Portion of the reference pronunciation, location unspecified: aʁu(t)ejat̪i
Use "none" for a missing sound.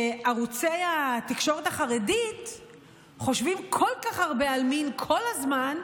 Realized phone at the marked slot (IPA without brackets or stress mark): t͡s